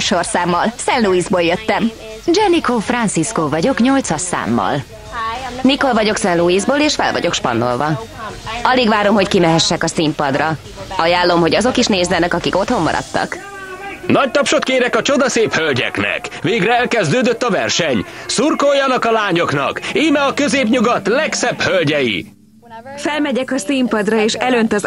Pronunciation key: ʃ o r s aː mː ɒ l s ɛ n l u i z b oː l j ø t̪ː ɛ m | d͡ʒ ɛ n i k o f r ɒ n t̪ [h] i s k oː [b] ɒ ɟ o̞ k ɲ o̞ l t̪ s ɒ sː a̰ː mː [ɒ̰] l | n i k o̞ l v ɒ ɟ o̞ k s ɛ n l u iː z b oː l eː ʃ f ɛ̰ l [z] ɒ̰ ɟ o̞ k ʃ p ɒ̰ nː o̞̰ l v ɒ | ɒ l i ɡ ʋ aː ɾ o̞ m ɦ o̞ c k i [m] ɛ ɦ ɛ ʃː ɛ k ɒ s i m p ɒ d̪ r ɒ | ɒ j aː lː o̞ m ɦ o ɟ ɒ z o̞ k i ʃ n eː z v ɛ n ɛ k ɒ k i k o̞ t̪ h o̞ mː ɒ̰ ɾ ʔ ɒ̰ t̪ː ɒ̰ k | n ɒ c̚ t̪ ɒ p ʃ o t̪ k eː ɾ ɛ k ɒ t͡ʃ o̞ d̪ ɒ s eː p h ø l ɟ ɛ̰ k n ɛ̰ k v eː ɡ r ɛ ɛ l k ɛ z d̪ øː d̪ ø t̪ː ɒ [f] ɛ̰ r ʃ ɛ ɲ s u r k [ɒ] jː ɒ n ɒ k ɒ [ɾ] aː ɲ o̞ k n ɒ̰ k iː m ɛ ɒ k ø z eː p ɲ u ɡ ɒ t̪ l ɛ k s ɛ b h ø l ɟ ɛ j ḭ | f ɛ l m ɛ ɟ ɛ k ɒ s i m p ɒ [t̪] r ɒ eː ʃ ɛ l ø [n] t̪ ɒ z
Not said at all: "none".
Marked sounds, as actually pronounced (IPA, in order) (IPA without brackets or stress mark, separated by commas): s, v, ɒ̰, v, m, v, o, l, d̪, n